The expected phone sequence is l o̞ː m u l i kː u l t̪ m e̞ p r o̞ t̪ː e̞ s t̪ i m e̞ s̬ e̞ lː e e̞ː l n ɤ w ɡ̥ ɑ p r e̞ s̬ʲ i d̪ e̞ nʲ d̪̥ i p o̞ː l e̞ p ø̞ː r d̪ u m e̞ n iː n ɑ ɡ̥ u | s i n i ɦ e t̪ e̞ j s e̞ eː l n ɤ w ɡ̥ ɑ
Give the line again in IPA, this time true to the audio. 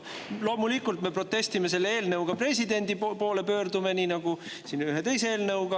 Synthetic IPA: l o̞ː m u l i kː u l t̪ m e̞ p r o̞ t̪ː e̞ s t̪ i m e̞ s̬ e̞ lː e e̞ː l n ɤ w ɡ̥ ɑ p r e̞ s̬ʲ i d̪ e̞ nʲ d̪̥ i p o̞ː l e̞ p ø̞ː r d̪ u m e̞ n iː n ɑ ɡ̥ u | s i n y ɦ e t̪ e̞ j s e̞ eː l n ɤ w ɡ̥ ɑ